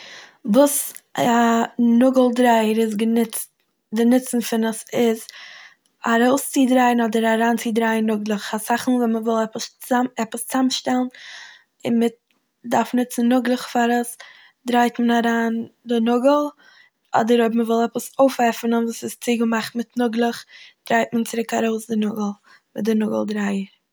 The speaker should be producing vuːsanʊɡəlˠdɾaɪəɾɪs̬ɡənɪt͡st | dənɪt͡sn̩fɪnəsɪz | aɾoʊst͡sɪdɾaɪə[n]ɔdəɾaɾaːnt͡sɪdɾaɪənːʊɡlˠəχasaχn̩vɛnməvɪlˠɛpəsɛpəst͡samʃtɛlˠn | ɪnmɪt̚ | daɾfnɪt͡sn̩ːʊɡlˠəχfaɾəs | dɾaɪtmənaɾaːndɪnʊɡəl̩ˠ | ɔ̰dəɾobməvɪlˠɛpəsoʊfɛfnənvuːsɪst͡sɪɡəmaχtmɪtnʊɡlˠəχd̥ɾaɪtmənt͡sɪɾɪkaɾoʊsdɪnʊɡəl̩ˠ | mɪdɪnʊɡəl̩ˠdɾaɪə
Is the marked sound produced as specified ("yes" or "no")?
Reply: yes